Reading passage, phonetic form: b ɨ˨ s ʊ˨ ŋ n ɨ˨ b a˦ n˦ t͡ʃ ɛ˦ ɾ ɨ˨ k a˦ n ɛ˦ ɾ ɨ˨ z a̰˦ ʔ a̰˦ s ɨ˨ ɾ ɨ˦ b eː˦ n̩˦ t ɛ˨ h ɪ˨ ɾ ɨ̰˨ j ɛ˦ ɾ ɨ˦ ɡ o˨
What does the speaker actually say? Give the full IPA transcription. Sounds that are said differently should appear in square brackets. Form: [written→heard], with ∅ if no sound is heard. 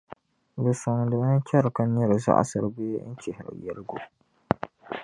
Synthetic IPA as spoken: b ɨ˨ s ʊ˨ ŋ [n→d] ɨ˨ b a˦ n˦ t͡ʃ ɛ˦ ɾ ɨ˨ k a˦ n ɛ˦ ɾ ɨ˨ z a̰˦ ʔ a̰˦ s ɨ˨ ɾ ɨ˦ b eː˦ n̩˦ [t→t͡ʃ] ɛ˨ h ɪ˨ ɾ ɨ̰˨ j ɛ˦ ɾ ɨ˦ ɡ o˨